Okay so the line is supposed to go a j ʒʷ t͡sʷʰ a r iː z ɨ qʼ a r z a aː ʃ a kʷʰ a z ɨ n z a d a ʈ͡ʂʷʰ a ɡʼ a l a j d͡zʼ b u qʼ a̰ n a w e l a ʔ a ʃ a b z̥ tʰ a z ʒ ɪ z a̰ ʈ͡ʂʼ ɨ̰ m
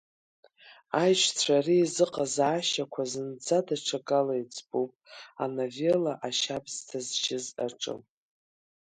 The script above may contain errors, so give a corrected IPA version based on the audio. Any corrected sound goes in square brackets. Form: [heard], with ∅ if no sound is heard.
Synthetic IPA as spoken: a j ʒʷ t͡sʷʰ a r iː z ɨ qʼ a [∅] z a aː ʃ a kʷʰ a z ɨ n [d͡z] a d a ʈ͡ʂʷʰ a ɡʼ a l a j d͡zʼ b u [pʼ] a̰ n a [v] e l a ʔ a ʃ a b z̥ tʰ a z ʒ ɪ z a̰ ʈ͡ʂʼ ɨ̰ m